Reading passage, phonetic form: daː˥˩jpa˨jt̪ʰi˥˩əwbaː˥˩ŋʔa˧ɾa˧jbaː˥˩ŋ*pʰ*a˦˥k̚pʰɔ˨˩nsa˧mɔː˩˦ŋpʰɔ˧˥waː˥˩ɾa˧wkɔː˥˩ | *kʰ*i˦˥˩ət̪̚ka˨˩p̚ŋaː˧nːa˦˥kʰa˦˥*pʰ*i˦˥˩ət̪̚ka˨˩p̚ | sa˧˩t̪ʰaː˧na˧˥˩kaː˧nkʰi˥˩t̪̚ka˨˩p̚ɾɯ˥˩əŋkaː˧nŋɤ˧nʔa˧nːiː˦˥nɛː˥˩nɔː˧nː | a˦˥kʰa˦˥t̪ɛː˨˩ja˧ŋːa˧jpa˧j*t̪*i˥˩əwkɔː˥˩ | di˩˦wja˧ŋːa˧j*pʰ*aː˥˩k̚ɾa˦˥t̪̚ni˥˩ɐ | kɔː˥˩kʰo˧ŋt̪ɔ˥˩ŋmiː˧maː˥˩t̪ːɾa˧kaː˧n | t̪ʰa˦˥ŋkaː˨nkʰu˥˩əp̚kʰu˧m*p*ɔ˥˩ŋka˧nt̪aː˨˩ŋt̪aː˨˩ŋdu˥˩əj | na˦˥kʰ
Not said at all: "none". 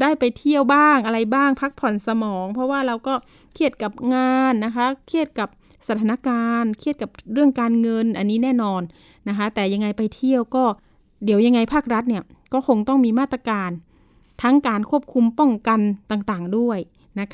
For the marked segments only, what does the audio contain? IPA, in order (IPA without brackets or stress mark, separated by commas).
pʰ, kʰ, kʰ, t̪ʰ, pʰ, p